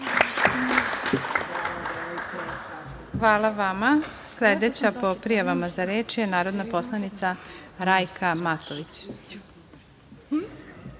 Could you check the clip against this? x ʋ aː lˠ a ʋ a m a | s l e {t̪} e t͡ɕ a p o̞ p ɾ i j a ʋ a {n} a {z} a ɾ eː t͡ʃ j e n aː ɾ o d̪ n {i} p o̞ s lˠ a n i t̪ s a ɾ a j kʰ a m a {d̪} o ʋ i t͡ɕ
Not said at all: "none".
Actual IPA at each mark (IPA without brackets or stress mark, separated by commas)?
d̪, m, z, a, t̪